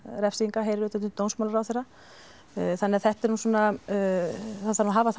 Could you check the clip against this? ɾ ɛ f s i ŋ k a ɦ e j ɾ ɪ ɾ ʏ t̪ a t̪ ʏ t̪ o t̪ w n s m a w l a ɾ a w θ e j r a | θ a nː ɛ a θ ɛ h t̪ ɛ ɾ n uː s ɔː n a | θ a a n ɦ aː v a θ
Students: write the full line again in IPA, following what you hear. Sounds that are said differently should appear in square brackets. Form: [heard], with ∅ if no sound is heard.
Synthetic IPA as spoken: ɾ ɛ f s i ŋ k a ɦ e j ɾ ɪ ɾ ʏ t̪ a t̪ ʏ t̪ o [∅] w n s m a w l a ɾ a w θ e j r a | θ a nː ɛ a θ ɛ h t̪ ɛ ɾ n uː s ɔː n a | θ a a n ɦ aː v a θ